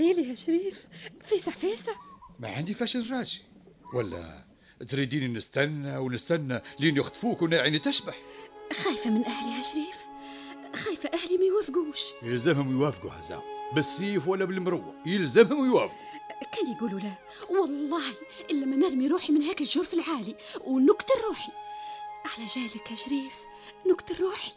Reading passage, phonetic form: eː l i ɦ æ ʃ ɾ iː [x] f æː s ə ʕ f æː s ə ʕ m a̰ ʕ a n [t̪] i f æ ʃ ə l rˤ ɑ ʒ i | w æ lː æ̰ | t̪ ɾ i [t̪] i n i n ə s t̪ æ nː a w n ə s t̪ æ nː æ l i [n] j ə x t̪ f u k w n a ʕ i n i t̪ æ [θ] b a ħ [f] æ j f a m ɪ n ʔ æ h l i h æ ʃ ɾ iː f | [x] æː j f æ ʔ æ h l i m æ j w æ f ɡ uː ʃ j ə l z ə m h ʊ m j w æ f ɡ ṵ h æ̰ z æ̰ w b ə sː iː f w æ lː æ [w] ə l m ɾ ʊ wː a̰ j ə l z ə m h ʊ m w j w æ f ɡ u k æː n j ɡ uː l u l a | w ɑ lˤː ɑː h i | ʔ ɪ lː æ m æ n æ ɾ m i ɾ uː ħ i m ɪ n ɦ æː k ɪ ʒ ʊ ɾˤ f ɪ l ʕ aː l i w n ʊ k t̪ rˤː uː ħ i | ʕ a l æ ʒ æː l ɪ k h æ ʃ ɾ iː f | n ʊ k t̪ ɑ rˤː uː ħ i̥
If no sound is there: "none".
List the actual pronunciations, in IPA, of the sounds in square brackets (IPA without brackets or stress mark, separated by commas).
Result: f, d̪, d̪, n, ʃ, x, x, b